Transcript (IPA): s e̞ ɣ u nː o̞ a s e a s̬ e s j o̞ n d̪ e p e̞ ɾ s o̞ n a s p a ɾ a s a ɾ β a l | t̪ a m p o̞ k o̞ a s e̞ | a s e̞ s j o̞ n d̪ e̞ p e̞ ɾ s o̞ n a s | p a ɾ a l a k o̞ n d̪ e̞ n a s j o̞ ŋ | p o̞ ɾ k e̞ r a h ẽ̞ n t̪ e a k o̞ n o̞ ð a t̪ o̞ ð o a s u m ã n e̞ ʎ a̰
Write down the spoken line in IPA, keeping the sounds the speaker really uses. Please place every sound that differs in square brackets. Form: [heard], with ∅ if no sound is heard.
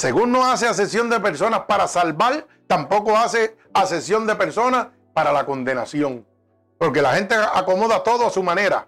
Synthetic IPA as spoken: s e̞ ɣ u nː o̞ a s e a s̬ e s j o̞ n d̪ e p e̞ ɾ s o̞ n a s p a ɾ a s a [l] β a l | t̪ a m p o̞ k o̞ a s e̞ | a s e̞ s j o̞ n d̪ e̞ p e̞ ɾ s o̞ n a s | p a ɾ a l a k o̞ n d̪ e̞ n a s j o̞ ŋ | p o̞ ɾ k e̞ [l] a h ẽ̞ n t̪ e a k o̞ [m] o̞ ð a t̪ o̞ ð o a s u m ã n e̞ [ɾ] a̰